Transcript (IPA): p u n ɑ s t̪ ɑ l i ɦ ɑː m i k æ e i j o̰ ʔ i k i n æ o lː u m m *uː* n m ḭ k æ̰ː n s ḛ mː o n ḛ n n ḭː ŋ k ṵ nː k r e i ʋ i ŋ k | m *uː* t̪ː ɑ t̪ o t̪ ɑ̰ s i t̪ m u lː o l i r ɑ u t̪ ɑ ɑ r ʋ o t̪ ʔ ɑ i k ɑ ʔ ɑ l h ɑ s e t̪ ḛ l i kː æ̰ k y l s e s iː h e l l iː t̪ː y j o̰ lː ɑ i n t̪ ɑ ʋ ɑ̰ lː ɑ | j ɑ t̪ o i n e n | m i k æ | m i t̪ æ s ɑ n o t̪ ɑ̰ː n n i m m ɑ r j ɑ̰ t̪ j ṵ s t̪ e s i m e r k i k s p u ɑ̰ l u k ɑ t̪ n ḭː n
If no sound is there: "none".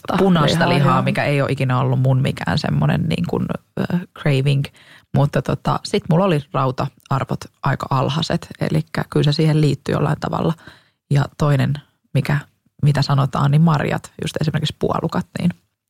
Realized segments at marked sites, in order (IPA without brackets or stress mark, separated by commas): u, u